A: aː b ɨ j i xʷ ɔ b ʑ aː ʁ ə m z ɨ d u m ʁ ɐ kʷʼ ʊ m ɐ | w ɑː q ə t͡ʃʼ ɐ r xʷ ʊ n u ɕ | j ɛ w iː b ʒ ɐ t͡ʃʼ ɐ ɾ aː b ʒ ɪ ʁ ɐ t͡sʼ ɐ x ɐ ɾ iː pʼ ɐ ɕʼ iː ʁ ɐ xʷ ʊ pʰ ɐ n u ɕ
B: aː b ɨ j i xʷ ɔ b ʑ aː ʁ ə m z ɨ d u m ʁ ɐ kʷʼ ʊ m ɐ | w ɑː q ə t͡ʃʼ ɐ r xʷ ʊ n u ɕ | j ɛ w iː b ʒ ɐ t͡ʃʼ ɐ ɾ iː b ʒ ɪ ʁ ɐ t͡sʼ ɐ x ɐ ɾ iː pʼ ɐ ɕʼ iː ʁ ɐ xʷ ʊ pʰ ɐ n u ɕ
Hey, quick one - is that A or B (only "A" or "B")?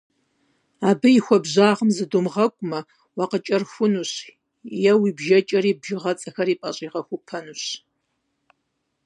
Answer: B